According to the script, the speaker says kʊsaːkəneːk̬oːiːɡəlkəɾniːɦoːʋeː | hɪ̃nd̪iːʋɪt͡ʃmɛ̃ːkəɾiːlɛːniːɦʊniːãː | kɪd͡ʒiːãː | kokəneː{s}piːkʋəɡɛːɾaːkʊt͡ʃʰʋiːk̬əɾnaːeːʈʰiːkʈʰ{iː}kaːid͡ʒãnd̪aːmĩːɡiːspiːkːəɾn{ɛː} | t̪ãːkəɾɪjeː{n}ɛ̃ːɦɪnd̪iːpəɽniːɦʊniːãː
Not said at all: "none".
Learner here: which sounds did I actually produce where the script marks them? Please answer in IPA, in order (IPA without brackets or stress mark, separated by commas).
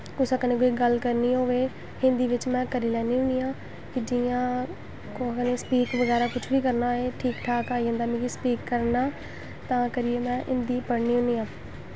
s, aː, aː, m